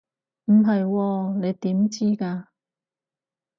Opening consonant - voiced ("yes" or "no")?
yes